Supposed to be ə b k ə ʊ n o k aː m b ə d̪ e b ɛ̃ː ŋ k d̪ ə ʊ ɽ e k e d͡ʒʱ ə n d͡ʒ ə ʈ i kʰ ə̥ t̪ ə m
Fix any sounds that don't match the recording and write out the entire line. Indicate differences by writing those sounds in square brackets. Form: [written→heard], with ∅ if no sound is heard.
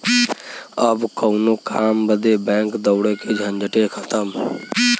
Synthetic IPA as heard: ə b k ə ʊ n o k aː m b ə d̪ e b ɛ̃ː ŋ k d̪ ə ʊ ɽ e k e d͡ʒʱ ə n d͡ʒ ə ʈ [i→e] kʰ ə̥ t̪ ə m